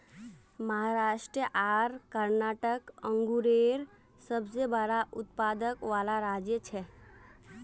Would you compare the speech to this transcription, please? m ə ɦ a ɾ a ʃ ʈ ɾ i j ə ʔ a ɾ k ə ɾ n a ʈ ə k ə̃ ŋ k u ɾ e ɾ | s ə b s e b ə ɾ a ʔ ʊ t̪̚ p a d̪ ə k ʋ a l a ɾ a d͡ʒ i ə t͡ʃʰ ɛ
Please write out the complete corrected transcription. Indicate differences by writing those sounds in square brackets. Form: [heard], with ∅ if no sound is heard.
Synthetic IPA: m ə ɦ a ɾ a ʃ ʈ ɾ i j ə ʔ a ɾ k ə ɾ n a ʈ ə k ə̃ ŋ [ɡ] u ɾ e ɾ | s ə b s e b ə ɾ a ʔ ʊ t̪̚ p a d̪ ə k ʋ a l a ɾ a d͡ʒ [j] ə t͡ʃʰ ɛ